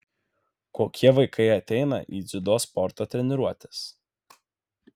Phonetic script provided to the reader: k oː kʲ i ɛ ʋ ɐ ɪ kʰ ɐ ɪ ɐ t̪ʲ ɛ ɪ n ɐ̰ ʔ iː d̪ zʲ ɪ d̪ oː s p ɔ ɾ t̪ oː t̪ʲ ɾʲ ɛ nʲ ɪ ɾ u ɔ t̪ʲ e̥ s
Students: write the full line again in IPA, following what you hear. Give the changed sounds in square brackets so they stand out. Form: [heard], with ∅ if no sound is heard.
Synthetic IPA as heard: k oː kʲ i ɛ ʋ ɐ ɪ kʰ ɐ ɪ ɐ t̪ʲ ɛ ɪ n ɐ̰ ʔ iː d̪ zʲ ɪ d̪ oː s p ɔ ɾ t̪ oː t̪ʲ ɾʲ ɛ nʲ ɪ ɾ u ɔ t̪ʲ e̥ s